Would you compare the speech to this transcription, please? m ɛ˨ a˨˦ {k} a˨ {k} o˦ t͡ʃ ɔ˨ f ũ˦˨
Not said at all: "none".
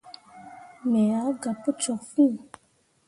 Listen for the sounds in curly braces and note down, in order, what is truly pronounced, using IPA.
ɡ, p

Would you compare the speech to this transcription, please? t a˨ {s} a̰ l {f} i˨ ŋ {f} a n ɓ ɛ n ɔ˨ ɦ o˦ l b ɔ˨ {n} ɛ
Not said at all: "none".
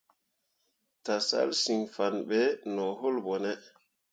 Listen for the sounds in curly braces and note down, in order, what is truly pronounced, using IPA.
s, s, f, n

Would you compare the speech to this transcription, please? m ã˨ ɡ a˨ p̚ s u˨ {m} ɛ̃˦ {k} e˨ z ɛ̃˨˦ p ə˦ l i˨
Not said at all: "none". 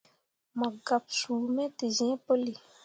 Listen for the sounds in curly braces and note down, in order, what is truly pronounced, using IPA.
m, t

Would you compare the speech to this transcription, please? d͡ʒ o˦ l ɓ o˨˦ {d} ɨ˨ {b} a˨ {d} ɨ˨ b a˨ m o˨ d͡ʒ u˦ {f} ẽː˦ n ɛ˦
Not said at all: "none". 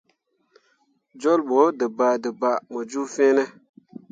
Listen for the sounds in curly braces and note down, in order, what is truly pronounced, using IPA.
d, b, d, f

